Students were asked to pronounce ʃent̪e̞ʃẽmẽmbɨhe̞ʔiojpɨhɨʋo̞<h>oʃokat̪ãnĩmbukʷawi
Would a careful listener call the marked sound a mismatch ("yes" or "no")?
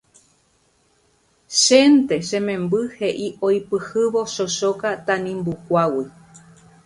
yes